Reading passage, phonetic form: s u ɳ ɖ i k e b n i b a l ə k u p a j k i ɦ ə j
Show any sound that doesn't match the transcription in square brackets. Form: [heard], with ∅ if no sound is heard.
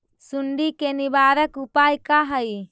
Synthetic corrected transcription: s u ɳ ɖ i k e [∅] n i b a [ɾ] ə k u p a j k [a] ɦ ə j

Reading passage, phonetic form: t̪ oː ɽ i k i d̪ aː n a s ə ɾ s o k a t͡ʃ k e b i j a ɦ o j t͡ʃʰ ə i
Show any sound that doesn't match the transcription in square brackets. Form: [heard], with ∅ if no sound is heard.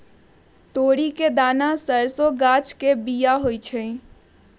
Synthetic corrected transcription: t̪ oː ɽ i k [e] d̪ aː n a s ə ɾ s o [ɡ] a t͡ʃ k e b i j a ɦ o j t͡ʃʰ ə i

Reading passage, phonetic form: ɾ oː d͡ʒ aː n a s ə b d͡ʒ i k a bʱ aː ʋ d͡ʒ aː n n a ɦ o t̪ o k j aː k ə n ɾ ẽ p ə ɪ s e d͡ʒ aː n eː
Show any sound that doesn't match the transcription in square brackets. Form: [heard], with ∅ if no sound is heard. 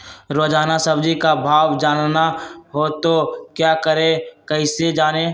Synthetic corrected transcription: ɾ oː d͡ʒ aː n a s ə b d͡ʒ i k a bʱ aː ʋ d͡ʒ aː n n a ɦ o t̪ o k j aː k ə [∅] ɾ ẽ [k] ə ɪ s e d͡ʒ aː n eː

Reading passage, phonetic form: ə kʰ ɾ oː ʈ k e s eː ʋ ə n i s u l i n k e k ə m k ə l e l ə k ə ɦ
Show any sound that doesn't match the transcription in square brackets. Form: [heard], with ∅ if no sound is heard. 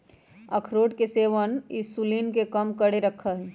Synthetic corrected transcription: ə kʰ ɾ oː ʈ k e s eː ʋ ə n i s u l i n k e k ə m k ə [ɽ] e [ɾ] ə [kʰ] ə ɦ

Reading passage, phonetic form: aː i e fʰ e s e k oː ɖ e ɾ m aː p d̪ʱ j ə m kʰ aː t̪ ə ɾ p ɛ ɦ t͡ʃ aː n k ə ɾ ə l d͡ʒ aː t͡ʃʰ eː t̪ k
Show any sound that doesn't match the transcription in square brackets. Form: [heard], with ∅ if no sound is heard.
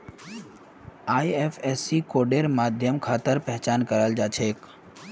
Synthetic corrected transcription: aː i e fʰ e s [i] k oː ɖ e ɾ m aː [∅] d̪ʱ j ə m kʰ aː t̪ ə ɾ p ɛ ɦ t͡ʃ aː n k ə ɾ ə l d͡ʒ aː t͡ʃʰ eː [∅] k

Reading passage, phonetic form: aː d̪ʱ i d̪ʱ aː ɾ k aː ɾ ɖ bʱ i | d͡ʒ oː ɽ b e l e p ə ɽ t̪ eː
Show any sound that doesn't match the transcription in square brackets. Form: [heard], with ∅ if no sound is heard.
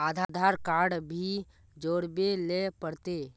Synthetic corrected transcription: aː d̪ʱ [a] d̪ʱ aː ɾ k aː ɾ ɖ bʱ i | d͡ʒ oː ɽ b e l e p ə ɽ t̪ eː

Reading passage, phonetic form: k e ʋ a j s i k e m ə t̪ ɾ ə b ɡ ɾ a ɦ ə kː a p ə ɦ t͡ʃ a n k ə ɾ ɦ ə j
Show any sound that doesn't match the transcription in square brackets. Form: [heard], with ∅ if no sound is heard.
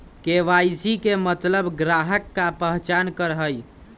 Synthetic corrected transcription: k e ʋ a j s i k e m ə t̪ [l] ə b ɡ ɾ a ɦ ə kː a p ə ɦ t͡ʃ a n k ə ɾ ɦ ə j

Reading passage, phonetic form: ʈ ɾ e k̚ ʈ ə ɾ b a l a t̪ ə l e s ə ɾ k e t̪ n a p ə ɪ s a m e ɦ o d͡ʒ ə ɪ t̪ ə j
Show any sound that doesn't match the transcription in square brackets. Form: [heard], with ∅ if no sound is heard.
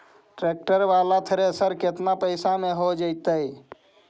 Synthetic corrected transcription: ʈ ɾ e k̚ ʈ ə ɾ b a l a [t̪ʰ] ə [ɾ] e s ə ɾ k e t̪ n a p ə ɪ s a m e ɦ o d͡ʒ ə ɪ t̪ ə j

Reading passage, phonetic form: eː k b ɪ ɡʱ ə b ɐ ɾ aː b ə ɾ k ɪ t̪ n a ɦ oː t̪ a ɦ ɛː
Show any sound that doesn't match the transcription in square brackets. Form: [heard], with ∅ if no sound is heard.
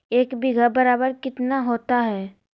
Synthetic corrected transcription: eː k b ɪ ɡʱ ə b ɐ ɾ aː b ə ɾ k ɪ t̪ n a ɦ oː t̪ a ɦ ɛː

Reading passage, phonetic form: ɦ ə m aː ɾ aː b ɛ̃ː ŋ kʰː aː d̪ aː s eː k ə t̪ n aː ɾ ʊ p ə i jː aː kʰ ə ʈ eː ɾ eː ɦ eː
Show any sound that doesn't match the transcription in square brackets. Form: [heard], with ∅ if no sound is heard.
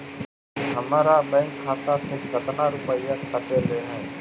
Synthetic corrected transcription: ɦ ə m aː ɾ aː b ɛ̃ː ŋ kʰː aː [t̪] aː s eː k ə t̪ n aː ɾ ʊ p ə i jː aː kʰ ə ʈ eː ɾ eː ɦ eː

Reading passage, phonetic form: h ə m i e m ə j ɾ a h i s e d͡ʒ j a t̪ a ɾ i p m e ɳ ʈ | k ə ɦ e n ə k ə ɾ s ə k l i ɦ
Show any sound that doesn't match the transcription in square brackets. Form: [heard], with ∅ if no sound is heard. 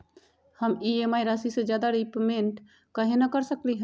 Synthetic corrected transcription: h ə m i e m [a] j ɾ a [s] i s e d͡ʒ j a [d̪] a ɾ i p m e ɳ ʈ | k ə ɦ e n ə k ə ɾ s ə k l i ɦ

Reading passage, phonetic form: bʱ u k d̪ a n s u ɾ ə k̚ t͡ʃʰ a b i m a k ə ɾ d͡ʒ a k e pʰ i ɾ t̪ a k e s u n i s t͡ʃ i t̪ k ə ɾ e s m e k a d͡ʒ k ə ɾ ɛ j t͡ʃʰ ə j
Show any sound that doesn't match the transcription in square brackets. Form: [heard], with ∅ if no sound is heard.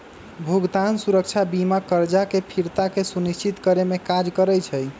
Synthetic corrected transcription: bʱ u [ɡ] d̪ a n s u ɾ ə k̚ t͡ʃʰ a b i m a k ə ɾ d͡ʒ a k e pʰ i ɾ t̪ a k e s u n i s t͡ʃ i t̪ k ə ɾ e [∅] m e k a d͡ʒ k ə ɾ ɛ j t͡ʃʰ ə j

